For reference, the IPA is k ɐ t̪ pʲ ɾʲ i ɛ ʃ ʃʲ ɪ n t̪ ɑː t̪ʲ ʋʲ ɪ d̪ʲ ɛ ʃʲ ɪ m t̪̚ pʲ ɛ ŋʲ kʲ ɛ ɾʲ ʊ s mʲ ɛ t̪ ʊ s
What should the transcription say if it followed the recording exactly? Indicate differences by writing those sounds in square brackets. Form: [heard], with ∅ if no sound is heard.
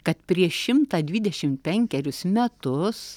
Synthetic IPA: k ɐ t̪ pʲ ɾʲ i ɛ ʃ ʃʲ ɪ [m] t̪ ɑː [d̪ʲ] ʋʲ ɪ d̪ʲ ɛ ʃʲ ɪ m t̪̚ pʲ ɛ ŋʲ kʲ ɛ ɾʲ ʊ s mʲ ɛ t̪ ʊ s